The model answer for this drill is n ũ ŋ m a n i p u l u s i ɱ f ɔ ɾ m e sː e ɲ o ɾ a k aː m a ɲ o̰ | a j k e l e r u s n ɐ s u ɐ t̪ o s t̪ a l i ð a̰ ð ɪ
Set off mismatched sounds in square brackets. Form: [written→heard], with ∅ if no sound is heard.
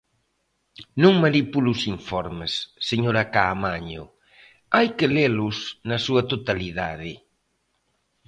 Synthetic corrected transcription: n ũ ŋ m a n i p u l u s i ɱ f ɔ ɾ m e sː e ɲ o ɾ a k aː m a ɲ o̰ | a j k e l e [r→l] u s n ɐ s u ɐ t̪ o [s→∅] t̪ a l i ð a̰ ð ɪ